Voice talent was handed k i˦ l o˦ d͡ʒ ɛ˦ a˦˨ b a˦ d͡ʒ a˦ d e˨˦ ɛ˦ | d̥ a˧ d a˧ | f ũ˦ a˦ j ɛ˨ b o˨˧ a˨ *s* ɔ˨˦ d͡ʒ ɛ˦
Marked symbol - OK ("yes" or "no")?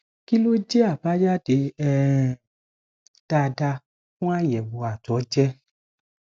no